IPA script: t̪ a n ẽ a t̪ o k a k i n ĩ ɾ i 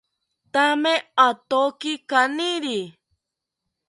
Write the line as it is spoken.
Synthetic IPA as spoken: t̪ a m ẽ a t̪ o k i k a n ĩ ɾ i